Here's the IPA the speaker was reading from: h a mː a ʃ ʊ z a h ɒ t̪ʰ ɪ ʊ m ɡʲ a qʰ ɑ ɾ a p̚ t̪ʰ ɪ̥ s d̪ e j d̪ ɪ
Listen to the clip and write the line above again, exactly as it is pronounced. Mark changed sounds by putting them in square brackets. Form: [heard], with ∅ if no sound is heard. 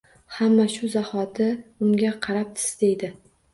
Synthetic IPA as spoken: h a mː a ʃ ʊ z a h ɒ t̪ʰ ɪ ʊ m ɡʲ a qʰ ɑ ɾ a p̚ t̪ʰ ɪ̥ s d̪ e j d̪ ɪ